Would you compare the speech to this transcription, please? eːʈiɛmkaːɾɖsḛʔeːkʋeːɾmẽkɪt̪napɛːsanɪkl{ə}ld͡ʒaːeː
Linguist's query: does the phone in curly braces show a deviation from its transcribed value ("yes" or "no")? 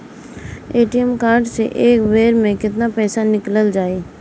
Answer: no